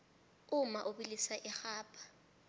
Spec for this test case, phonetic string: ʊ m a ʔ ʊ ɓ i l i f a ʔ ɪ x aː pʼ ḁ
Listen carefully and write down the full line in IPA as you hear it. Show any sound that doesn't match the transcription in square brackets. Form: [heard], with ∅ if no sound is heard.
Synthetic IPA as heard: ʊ m a ʔ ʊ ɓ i l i [s] a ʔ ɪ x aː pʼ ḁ